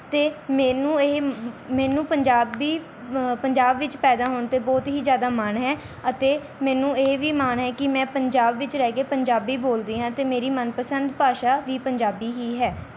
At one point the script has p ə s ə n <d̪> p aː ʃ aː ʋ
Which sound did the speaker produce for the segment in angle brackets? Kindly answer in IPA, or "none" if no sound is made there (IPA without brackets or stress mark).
d̪